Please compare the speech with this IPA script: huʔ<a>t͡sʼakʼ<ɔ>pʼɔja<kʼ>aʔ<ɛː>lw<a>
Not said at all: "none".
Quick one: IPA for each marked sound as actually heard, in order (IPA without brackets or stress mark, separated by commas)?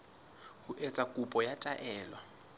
e, u, tʼ, ɛː, a